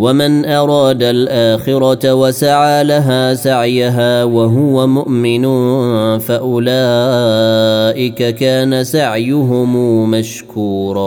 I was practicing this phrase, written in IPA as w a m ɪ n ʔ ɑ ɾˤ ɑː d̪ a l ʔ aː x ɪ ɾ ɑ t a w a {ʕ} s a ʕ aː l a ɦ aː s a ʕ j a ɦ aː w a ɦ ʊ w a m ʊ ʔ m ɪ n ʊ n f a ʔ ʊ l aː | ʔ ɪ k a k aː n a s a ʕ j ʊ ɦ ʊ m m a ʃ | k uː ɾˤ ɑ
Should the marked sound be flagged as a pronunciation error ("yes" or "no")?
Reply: yes